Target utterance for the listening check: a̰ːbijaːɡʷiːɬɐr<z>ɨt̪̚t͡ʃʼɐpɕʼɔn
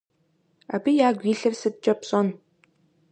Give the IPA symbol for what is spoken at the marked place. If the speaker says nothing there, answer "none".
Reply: s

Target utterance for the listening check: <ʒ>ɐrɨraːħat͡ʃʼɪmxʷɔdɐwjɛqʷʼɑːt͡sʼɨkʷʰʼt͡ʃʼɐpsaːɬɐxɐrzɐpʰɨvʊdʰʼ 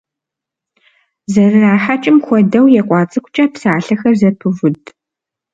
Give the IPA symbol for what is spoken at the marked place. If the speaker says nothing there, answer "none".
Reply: z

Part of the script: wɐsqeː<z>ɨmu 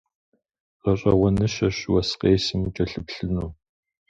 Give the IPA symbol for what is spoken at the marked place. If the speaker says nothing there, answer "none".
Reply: s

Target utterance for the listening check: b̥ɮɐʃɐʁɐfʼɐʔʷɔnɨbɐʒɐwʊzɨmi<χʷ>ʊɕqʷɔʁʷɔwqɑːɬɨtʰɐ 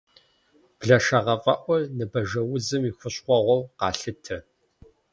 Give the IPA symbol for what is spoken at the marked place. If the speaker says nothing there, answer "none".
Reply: xʷ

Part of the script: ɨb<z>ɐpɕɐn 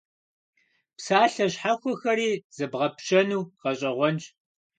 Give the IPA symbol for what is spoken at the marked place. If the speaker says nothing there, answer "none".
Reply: ʁ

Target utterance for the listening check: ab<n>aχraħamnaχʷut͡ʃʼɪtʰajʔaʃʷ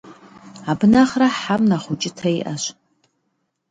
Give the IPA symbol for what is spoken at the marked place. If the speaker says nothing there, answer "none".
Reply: n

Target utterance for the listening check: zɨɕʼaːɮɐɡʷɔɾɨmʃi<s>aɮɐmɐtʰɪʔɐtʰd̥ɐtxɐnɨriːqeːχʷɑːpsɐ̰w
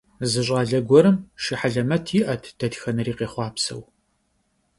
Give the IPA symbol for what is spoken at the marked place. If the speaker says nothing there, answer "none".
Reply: ħ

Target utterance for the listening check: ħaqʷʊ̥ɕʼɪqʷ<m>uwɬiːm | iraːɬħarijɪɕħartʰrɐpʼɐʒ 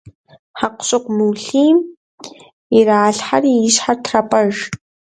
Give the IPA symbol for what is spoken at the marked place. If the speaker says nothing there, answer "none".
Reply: m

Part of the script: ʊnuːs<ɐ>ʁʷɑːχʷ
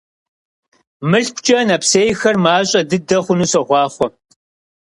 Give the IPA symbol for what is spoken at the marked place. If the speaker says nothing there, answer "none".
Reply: ɐ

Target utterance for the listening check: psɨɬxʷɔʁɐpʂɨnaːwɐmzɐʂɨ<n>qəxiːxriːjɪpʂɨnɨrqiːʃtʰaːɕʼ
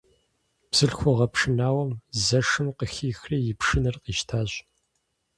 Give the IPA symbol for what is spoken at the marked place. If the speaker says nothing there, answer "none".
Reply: m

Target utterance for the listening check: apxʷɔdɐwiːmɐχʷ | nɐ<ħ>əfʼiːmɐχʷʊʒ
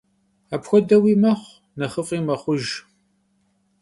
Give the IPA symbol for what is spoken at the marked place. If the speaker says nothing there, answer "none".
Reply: χ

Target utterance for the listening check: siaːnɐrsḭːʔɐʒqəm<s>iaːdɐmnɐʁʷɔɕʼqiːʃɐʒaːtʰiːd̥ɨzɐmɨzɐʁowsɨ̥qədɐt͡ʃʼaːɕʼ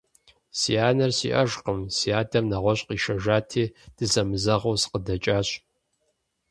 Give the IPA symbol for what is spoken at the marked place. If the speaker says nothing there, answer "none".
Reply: s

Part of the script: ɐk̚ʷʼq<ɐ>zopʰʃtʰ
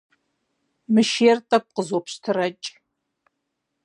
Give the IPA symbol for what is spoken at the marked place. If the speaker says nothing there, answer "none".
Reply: ə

